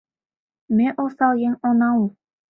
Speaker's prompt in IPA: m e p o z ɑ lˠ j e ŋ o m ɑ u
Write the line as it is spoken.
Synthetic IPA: m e ʔ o s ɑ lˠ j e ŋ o n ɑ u